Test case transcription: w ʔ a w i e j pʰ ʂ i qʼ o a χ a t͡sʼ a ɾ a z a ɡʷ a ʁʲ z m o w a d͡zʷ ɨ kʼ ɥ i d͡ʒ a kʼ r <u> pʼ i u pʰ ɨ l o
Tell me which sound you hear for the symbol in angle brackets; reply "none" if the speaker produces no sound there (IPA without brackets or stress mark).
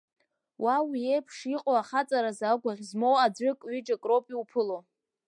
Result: o